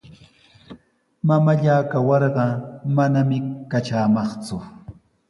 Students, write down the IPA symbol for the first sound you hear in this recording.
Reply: m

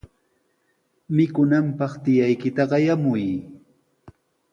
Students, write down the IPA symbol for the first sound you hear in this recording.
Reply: m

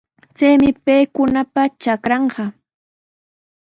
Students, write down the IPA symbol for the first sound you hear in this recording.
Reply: t͡s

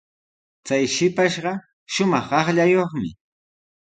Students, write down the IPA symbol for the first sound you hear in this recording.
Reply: t͡s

